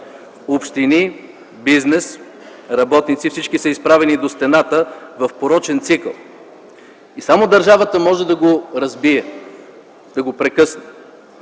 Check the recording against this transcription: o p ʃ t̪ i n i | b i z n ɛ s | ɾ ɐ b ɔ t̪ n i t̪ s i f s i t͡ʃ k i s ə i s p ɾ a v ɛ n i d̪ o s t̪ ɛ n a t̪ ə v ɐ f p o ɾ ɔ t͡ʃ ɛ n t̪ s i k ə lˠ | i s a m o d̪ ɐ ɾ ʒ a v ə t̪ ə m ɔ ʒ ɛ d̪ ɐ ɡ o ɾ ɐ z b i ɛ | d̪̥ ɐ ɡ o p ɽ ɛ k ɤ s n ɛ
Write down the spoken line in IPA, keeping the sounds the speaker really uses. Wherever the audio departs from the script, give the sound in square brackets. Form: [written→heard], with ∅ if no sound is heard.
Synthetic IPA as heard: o p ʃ t̪ i n i | b i z n ɛ s | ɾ ɐ b ɔ t̪ n i t̪ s i f s i t͡ʃ k i s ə i s p ɾ a v ɛ n i d̪ o s t̪ ɛ n a t̪ ə v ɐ f p o ɾ ɔ t͡ʃ ɛ n t̪ s i k ə lˠ | i s a m o d̪ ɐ ɾ ʒ a v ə t̪ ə m ɔ ʒ ɛ d̪ ɐ ɡ o ɾ ɐ z b i ɛ | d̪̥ ɐ ɡ o p [ɽ→ɾ] ɛ k ɤ s n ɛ